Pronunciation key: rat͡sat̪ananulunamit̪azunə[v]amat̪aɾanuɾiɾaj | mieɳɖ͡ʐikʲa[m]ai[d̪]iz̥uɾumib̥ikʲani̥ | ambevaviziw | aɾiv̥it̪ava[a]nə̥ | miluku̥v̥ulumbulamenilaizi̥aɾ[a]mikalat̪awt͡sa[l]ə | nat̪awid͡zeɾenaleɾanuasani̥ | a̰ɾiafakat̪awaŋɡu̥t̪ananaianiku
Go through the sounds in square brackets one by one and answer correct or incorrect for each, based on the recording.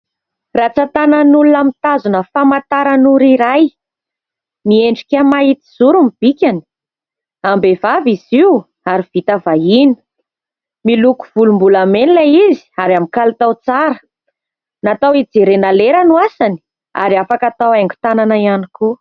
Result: incorrect: f, correct, incorrect: t̪, incorrect: i, correct, incorrect: ɾ

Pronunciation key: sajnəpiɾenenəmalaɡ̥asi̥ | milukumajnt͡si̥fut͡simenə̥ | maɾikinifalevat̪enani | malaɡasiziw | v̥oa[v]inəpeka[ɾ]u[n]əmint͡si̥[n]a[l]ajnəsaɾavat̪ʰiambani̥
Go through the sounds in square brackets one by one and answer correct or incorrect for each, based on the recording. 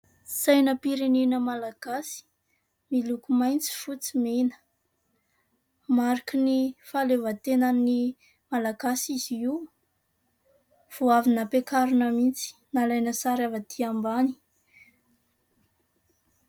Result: correct, correct, correct, correct, correct

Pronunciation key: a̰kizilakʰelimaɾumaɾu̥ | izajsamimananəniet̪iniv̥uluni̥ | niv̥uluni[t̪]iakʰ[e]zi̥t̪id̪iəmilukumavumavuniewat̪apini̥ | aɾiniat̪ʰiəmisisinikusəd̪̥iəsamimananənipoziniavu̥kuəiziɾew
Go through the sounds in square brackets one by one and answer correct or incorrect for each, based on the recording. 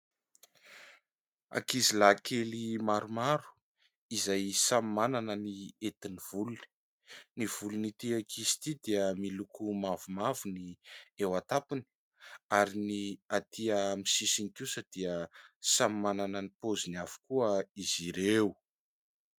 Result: correct, incorrect: i

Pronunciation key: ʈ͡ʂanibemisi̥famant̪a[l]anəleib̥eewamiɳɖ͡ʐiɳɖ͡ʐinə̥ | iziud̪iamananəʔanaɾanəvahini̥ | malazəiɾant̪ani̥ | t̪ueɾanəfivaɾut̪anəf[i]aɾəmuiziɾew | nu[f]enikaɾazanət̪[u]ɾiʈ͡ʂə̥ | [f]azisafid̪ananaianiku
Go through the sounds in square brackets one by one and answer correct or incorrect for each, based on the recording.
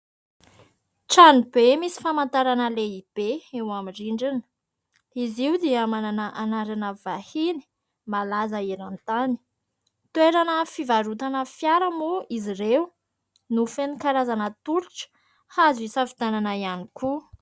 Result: incorrect: ɾ, incorrect: j, correct, correct, incorrect: h

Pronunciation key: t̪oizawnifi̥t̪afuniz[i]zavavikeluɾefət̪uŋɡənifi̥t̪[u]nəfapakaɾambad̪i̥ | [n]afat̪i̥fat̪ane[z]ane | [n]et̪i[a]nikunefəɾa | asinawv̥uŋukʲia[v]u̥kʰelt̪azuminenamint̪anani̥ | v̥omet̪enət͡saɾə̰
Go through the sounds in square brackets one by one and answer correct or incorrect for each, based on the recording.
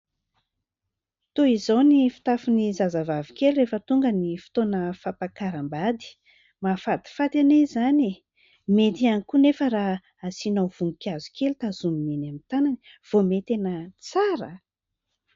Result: incorrect: a, incorrect: o, incorrect: m, correct, incorrect: m, correct, incorrect: z

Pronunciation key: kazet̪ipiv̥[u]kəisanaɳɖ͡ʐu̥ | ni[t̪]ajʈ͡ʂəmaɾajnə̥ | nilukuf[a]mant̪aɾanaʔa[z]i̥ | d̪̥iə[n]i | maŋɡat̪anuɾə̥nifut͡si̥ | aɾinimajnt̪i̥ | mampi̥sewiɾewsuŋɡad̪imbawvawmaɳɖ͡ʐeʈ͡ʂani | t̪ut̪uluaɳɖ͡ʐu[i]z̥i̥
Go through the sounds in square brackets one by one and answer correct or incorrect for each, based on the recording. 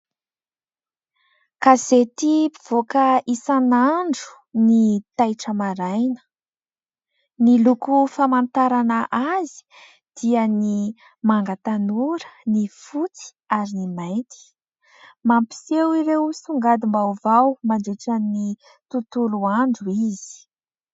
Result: incorrect: o, correct, correct, correct, correct, correct

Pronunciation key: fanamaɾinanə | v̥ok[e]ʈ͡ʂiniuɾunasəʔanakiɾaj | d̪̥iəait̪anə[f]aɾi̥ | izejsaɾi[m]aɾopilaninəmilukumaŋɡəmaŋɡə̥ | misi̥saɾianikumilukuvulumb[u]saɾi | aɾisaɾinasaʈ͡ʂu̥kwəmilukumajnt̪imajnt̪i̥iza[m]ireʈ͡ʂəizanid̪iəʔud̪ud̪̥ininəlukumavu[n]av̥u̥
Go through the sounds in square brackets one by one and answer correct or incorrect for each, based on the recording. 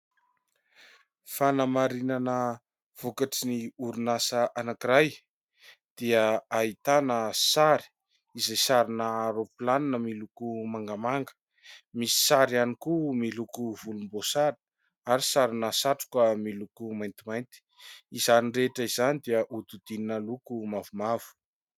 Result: incorrect: a, incorrect: s, incorrect: n, incorrect: o, incorrect: n, incorrect: m

